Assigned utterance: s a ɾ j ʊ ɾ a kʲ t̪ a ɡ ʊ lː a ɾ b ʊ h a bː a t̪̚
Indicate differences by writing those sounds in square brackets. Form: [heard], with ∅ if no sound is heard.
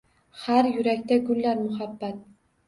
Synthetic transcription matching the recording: [h] a ɾ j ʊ ɾ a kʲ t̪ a ɡ ʊ lː a ɾ [m] ʊ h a bː a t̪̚